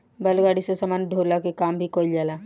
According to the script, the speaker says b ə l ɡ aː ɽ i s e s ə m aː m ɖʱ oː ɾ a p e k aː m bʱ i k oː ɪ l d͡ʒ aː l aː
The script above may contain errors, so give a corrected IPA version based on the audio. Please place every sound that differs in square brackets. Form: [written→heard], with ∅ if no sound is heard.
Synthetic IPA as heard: b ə l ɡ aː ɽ i s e s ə m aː [m→n] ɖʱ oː [ɾ→l] a [p→k] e k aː m bʱ i k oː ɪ l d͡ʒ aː l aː